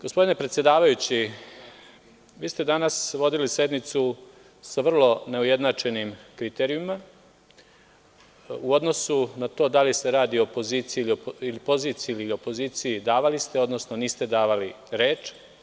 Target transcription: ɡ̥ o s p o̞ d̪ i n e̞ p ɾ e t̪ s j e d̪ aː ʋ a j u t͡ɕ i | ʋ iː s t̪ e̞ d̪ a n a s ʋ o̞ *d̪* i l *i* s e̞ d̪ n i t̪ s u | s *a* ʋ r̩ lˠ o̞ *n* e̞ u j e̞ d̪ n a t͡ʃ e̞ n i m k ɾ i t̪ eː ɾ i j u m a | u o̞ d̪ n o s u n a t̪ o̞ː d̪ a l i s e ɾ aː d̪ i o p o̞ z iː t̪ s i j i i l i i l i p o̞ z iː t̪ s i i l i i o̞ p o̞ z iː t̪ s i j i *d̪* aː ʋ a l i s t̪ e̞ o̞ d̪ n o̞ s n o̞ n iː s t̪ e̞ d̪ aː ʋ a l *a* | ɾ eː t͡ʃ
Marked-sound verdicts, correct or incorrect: correct, correct, correct, correct, correct, incorrect: i

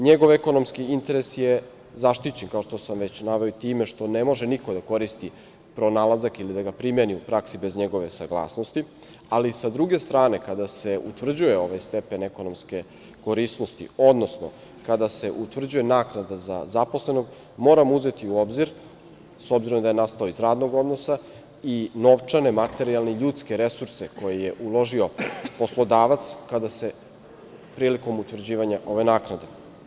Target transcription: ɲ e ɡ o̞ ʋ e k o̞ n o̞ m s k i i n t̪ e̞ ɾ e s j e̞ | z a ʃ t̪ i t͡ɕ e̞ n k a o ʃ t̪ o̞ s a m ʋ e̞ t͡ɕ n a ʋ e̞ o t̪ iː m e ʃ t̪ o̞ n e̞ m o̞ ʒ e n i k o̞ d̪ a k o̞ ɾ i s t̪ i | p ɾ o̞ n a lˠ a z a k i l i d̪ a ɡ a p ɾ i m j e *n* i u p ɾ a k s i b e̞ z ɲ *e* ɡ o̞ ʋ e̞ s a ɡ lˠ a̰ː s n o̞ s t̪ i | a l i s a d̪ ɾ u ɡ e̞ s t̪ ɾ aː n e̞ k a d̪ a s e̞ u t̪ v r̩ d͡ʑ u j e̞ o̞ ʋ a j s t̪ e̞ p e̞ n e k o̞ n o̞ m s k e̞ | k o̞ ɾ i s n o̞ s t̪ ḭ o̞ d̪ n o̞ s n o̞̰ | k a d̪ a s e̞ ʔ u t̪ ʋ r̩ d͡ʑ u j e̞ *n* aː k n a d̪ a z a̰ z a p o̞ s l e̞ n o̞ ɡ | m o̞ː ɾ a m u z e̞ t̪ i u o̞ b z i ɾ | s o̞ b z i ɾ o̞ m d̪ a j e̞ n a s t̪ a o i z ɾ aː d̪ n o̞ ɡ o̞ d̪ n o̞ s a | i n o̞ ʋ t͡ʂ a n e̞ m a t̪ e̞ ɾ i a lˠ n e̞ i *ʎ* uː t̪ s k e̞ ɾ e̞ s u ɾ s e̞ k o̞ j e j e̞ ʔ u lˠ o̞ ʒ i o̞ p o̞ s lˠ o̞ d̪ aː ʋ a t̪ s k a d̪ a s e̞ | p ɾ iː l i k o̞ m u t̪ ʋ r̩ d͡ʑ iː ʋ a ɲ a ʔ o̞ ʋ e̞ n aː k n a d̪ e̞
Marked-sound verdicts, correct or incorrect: correct, correct, correct, correct

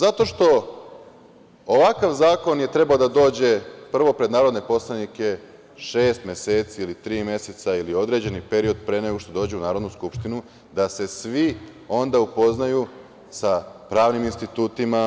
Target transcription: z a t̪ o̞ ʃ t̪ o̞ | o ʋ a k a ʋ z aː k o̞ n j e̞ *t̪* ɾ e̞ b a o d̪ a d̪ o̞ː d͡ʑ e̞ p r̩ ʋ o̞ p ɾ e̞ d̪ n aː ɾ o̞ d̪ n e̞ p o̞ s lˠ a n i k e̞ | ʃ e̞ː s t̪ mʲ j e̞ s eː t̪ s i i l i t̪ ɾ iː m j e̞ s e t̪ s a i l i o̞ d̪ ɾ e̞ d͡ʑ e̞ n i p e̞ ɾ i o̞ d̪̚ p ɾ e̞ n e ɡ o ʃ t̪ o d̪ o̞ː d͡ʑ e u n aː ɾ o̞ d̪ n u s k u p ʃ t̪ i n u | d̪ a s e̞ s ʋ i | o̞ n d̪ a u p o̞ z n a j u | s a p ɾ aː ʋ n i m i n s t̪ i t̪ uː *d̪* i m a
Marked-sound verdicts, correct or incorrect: correct, incorrect: t̪

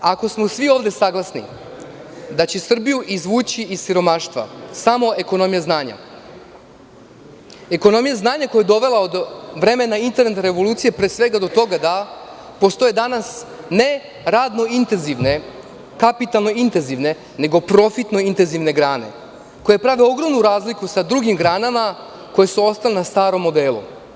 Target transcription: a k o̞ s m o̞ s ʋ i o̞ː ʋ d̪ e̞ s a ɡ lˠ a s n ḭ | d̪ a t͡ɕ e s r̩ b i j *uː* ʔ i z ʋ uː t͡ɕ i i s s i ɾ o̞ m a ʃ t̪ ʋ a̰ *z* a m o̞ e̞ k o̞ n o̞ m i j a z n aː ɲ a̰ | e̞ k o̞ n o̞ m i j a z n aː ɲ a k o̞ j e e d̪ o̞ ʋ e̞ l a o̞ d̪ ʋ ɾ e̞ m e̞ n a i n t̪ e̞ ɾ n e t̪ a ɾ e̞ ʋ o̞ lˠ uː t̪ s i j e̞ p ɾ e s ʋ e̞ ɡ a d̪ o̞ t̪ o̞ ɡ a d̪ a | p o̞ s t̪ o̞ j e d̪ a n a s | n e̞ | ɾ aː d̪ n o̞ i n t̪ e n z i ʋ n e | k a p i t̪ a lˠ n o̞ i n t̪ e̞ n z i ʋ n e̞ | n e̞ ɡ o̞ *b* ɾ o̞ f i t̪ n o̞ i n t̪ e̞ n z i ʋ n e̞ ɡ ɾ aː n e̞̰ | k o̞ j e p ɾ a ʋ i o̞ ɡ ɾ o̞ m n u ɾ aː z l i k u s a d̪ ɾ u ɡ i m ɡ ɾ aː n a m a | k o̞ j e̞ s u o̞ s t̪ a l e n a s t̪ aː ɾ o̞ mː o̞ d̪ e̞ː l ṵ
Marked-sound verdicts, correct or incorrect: incorrect: u, incorrect: s, incorrect: p

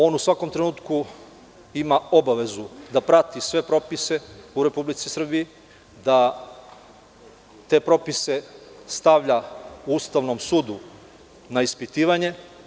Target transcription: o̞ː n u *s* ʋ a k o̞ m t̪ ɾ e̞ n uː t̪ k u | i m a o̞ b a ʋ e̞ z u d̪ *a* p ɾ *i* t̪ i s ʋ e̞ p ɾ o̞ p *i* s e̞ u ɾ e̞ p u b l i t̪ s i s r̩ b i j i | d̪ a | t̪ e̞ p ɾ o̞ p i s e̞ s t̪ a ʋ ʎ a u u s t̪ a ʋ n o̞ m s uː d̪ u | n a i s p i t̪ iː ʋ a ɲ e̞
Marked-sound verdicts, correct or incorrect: correct, correct, incorrect: a, correct

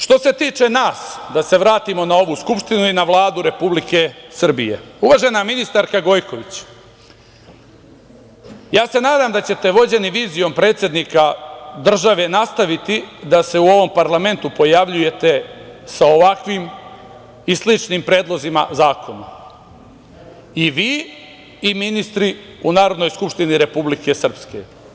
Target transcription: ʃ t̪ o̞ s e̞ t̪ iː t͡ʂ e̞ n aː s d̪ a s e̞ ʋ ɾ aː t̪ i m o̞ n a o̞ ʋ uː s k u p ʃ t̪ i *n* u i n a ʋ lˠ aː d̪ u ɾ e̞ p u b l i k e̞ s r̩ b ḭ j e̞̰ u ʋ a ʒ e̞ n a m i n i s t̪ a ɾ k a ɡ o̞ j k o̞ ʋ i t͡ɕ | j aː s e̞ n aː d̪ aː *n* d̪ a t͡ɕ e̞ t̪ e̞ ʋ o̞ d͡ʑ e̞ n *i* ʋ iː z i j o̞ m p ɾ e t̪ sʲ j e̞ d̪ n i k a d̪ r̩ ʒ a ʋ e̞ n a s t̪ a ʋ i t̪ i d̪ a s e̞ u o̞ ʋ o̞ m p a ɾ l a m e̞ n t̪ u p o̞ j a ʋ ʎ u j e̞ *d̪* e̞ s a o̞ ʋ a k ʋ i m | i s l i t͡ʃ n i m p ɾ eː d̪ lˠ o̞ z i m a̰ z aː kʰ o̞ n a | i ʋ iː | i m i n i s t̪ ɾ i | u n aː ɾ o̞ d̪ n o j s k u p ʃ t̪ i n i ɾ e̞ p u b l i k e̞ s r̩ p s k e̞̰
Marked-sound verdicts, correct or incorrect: correct, incorrect: m, correct, incorrect: t̪

